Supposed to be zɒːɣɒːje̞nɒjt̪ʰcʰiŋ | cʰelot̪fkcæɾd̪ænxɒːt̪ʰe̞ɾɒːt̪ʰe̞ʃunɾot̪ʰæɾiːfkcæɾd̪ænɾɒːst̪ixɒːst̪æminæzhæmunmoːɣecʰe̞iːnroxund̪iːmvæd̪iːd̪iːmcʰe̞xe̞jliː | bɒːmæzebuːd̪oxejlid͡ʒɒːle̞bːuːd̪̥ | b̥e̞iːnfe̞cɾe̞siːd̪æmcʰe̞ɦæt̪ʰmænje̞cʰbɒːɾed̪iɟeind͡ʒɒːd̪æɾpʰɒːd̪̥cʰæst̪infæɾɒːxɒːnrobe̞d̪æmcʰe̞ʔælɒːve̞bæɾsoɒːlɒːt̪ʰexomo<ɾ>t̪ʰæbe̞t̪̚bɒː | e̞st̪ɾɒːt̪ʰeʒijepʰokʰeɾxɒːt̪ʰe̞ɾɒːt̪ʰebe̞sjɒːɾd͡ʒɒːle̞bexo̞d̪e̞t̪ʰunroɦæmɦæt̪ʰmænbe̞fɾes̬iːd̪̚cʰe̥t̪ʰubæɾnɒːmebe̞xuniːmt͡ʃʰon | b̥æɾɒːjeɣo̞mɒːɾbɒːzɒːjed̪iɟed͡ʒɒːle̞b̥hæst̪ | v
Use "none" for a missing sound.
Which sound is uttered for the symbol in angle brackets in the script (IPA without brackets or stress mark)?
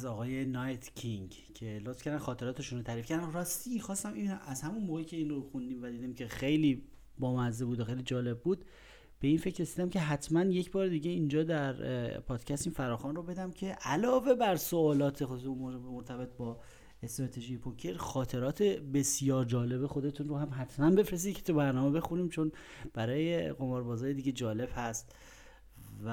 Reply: ɾ